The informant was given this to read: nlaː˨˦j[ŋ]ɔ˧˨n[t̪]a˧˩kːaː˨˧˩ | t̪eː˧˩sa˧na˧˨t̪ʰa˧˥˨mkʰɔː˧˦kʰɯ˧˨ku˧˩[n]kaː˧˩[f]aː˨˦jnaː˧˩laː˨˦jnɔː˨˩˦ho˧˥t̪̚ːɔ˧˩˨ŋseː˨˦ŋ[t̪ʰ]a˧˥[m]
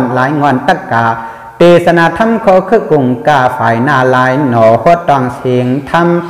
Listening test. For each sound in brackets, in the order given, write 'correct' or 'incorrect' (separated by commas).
correct, correct, incorrect, correct, correct, correct